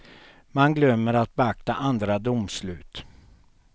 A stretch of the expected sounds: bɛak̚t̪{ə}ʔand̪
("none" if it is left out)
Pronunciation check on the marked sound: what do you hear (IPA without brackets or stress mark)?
a